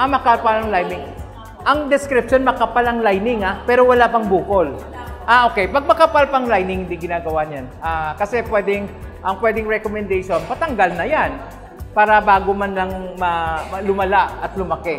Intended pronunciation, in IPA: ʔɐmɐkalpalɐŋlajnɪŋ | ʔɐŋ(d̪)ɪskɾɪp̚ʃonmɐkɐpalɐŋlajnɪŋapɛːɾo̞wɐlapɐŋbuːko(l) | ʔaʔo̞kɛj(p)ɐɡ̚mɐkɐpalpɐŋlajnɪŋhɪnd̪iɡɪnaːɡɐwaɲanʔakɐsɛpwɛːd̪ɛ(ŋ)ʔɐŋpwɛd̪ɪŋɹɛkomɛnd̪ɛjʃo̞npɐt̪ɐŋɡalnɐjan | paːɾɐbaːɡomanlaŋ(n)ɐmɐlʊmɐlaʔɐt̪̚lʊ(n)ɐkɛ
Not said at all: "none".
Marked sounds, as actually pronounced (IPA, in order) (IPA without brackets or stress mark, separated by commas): d̪, l, p, ŋ, m, m